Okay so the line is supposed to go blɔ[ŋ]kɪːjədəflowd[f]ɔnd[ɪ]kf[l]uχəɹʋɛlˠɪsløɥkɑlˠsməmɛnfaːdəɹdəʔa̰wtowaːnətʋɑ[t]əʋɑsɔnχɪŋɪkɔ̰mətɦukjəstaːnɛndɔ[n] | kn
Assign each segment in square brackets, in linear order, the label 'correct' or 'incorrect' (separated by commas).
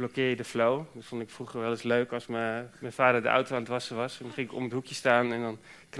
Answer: incorrect, correct, correct, incorrect, incorrect, correct